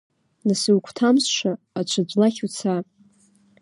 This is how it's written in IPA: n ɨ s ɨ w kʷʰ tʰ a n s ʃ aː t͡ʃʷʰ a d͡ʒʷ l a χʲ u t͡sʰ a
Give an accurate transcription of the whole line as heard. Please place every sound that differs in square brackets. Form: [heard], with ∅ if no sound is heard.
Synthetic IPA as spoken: n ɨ s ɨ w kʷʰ tʰ a [m] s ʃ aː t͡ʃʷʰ a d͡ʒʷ l a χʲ u t͡sʰ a